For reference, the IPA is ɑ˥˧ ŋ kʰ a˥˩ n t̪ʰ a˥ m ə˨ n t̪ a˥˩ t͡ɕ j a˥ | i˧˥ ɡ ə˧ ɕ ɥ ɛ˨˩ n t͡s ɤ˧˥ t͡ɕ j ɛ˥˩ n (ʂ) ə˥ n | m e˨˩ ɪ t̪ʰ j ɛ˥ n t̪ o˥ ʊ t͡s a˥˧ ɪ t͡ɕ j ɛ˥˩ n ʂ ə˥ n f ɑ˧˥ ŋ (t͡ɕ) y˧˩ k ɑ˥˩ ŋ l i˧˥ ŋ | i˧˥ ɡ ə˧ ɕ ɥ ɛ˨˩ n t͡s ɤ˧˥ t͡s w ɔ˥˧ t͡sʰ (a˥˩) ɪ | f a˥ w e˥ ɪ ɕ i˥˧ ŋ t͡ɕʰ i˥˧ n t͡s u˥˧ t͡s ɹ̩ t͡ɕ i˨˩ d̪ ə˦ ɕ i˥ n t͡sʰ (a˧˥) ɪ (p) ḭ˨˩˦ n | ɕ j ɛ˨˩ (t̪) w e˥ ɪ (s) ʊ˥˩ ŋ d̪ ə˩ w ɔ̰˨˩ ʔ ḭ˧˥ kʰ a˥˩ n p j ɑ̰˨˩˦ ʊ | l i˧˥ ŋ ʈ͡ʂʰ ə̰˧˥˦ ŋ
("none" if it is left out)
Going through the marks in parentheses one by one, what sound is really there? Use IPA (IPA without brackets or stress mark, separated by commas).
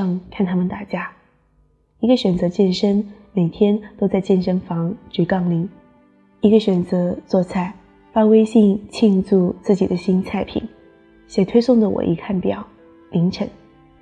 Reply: ʂ, t͡ɕ, a˥˩, a˥˩, pʰ, t̪ʰ, s